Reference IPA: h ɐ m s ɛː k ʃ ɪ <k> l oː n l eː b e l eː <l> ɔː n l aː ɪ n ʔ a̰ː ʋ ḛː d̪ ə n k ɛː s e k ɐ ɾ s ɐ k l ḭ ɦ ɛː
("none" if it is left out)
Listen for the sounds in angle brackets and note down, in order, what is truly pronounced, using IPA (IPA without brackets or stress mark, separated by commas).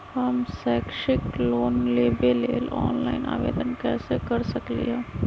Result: k, l